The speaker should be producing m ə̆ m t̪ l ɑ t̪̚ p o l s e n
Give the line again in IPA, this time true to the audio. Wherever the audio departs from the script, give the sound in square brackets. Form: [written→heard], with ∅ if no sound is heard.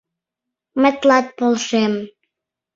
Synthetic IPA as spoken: m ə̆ [m→∅] t̪ l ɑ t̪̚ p o l [s→ʃ] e [n→m]